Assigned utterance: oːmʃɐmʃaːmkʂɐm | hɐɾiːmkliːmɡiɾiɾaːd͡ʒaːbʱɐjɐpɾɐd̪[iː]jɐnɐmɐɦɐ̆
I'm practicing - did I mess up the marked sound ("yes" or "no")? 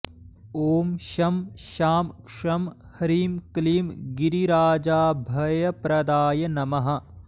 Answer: yes